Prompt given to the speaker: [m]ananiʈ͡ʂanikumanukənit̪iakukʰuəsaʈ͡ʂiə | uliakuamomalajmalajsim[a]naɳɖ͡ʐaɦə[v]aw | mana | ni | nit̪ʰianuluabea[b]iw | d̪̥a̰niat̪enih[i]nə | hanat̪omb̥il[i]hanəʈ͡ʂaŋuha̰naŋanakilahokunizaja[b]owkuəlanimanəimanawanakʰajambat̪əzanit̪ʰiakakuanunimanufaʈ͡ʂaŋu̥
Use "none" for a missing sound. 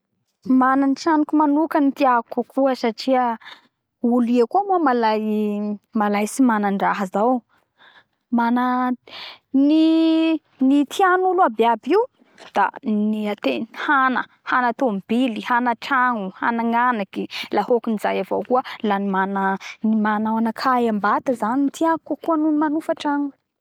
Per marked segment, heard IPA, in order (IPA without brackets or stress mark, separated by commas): m, a, z, b, a, i, v